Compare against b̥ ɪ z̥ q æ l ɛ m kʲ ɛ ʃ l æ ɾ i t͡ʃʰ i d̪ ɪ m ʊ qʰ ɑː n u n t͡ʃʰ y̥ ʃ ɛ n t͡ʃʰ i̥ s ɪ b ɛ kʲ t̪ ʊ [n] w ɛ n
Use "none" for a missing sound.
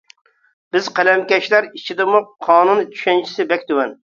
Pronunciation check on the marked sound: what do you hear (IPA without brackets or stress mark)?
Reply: none